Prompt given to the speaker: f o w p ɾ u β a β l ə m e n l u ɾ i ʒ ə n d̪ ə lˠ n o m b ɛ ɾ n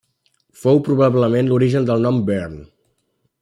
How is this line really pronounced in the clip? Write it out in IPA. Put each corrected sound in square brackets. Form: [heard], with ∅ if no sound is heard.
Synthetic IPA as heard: f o w p ɾ u β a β l ə m e n l u ɾ i ʒ ə n d̪ ə lˠ n [ɔ] m b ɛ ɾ n